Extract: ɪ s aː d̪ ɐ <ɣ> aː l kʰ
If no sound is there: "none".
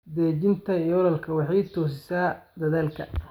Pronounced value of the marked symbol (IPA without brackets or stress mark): ð